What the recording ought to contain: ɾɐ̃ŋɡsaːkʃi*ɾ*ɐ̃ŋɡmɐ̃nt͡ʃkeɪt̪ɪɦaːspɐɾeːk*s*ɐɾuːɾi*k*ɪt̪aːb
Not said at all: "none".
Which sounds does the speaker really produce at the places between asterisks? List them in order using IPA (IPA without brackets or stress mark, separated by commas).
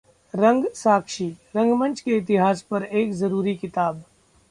ɾ, z, k